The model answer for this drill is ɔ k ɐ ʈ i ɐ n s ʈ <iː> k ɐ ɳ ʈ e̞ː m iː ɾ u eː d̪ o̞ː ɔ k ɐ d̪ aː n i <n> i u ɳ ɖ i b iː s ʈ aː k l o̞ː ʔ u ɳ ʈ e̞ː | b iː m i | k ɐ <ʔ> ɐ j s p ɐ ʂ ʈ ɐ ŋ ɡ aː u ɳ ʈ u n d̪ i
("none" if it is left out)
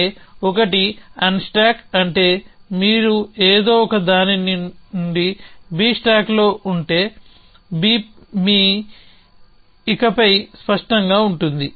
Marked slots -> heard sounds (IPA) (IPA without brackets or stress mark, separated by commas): aː, n, p